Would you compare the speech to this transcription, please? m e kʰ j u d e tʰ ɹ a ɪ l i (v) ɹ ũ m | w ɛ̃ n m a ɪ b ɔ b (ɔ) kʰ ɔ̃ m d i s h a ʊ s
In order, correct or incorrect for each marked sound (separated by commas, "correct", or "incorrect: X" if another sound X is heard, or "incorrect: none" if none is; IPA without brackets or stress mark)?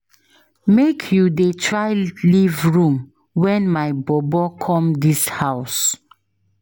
correct, correct